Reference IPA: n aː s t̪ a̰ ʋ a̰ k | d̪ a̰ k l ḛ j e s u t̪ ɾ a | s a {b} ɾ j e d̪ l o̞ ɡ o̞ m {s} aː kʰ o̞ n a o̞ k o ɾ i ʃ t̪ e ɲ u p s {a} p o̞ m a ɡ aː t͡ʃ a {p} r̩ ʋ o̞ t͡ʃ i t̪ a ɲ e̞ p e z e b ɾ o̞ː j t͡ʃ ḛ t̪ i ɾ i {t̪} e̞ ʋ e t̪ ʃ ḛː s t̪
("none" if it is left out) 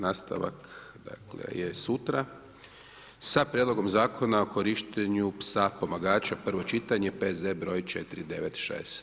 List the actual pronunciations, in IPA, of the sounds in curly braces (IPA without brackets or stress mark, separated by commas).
p, z, a, p, d̪